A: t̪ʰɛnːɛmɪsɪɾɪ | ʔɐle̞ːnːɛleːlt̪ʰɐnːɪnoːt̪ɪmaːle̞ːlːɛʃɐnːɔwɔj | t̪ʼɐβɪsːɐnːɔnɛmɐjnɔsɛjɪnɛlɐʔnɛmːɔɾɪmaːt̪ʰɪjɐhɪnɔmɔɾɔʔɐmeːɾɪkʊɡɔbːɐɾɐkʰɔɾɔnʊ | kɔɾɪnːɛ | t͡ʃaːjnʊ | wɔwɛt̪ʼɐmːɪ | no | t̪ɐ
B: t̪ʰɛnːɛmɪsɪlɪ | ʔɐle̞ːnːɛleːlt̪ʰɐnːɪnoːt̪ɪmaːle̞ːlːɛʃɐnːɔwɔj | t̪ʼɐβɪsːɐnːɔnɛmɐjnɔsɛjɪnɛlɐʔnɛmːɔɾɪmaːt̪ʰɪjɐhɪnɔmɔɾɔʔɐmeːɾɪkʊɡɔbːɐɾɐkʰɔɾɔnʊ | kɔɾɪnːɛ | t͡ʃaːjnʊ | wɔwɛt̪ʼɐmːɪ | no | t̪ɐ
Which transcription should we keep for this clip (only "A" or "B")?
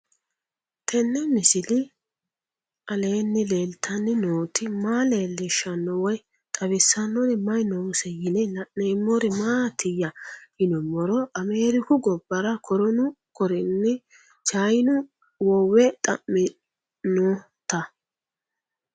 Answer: B